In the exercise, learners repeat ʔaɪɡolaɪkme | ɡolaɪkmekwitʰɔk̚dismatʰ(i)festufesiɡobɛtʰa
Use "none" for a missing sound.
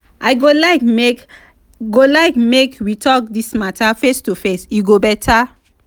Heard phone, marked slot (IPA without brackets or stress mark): a